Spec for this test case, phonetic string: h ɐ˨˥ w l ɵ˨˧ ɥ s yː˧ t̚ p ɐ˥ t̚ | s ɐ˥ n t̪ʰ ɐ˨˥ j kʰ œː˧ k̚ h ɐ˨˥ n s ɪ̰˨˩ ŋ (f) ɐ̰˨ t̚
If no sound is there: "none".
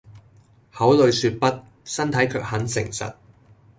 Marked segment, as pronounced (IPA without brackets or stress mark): s